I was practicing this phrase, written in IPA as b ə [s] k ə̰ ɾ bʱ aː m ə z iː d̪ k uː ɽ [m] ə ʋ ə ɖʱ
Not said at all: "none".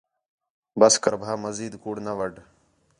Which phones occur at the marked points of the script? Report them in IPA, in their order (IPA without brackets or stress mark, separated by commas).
s, n